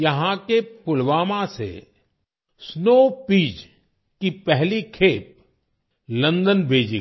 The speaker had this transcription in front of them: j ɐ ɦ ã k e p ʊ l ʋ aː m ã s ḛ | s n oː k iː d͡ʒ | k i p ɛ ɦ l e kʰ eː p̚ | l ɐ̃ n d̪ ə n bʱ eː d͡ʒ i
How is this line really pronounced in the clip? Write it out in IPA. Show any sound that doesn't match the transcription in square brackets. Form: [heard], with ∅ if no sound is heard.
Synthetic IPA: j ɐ ɦ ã k e p ʊ l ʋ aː m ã s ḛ | s n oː [p] iː d͡ʒ | k i p ɛ ɦ l [i] kʰ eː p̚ | l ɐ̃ n d̪ ə n bʱ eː d͡ʒ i